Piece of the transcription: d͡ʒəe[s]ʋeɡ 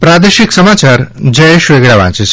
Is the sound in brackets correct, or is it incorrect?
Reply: incorrect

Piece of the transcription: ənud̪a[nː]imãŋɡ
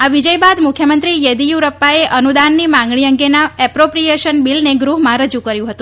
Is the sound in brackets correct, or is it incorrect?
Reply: correct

